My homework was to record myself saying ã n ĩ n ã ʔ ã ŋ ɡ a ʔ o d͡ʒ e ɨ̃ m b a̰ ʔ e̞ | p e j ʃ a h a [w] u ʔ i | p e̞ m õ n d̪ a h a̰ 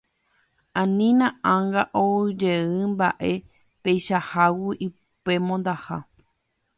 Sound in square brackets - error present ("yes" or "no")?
no